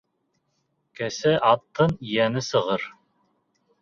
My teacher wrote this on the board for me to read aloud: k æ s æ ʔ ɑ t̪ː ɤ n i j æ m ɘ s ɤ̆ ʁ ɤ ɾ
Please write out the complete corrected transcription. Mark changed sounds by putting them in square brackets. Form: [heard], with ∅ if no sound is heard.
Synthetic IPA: k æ s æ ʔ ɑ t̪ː ɤ n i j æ [n] ɘ s ɤ̆ ʁ ɤ ɾ